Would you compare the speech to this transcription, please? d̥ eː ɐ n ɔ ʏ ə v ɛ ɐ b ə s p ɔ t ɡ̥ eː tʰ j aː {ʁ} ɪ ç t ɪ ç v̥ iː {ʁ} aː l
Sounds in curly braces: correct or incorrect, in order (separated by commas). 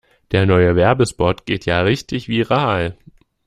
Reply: correct, correct